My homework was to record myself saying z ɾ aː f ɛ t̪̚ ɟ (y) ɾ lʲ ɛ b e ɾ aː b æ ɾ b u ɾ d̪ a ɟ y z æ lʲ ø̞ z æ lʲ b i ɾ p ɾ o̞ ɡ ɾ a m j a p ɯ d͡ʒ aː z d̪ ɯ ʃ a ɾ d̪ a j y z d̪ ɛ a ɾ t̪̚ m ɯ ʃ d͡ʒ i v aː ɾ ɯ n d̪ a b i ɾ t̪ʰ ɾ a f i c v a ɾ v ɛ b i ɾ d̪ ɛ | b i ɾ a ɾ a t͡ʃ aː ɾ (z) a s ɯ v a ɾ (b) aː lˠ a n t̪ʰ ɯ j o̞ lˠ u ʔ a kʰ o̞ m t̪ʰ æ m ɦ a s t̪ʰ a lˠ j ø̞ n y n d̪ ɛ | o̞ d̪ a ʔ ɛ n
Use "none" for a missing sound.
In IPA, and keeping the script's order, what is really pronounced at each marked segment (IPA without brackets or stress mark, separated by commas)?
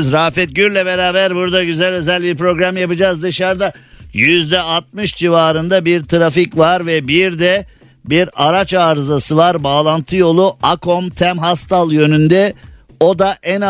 y, z, b